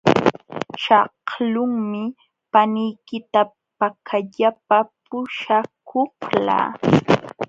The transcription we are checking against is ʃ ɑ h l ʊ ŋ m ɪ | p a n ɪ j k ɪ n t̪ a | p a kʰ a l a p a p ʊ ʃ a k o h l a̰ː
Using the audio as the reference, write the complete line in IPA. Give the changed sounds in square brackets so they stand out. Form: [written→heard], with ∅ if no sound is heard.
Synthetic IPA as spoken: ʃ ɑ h l ʊ ŋ m ɪ | p a n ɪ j k ɪ [n→∅] t̪ a | p a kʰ a [l→ʎ] a p a p ʊ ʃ a k o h l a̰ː